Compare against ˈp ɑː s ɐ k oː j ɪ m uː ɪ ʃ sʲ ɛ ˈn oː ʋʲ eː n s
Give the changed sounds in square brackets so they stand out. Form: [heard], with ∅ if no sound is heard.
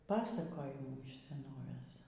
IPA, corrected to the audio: ˈp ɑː s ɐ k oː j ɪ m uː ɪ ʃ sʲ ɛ ˈn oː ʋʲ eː [∅] s